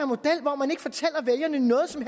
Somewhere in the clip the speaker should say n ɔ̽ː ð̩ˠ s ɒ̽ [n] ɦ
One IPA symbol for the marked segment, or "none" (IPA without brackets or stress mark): m